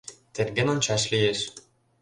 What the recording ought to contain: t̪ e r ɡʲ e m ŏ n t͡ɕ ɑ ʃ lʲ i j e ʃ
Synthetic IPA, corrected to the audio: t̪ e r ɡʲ e n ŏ n t͡ɕ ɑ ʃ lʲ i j e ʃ